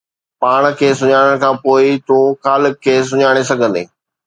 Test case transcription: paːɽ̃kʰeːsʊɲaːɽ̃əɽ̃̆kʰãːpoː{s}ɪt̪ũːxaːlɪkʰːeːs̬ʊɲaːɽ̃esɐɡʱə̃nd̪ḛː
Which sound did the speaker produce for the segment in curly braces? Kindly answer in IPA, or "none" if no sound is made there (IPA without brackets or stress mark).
none